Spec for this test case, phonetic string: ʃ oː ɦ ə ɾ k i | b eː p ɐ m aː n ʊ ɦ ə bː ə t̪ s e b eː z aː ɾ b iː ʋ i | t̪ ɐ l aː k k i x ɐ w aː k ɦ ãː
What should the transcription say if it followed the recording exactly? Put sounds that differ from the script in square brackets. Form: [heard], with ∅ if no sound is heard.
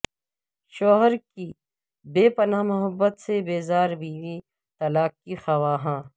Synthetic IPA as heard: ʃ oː ɦ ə ɾ k i | b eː p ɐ [n] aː [m] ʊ ɦ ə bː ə t̪ s e b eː z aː ɾ b iː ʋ i | t̪ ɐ l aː k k i x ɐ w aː [∅] ɦ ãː